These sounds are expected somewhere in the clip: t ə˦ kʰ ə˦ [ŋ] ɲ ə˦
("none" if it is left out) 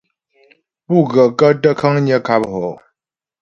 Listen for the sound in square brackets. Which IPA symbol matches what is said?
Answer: ŋ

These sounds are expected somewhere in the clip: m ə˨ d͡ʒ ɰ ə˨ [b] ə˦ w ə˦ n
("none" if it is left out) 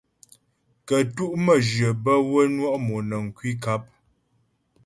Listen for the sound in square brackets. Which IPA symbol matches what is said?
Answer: b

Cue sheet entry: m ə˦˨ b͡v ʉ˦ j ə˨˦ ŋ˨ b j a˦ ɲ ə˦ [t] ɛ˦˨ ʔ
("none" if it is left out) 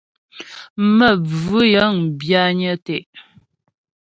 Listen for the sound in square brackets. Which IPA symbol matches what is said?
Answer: t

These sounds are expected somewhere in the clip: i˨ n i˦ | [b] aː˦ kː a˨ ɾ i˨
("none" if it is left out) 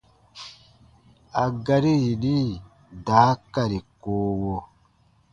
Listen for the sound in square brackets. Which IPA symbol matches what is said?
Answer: d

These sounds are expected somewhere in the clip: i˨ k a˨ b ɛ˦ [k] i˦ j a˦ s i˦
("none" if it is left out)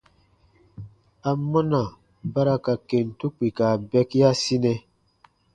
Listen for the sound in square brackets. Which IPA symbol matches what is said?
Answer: k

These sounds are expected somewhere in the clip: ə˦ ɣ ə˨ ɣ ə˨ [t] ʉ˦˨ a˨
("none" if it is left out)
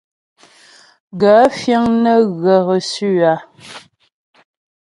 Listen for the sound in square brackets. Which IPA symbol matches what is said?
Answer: s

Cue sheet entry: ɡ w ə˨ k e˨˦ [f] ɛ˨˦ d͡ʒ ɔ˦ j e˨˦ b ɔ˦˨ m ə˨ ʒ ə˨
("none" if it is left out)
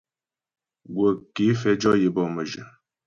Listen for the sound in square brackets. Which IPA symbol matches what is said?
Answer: f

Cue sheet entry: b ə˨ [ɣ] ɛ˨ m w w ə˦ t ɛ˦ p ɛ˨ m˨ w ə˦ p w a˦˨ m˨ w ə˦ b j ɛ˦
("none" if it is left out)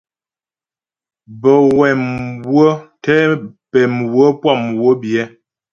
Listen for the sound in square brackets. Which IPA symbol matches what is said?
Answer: w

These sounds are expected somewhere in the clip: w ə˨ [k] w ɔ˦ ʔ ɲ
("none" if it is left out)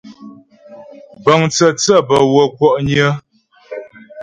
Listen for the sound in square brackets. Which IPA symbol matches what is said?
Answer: k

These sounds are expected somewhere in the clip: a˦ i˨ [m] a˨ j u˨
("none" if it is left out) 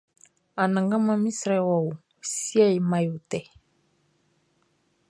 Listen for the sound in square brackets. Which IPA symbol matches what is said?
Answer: m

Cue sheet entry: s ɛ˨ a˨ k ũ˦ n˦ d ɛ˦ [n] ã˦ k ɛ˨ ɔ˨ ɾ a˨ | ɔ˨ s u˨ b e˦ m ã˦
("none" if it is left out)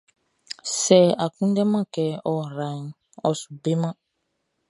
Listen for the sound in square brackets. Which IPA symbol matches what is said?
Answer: m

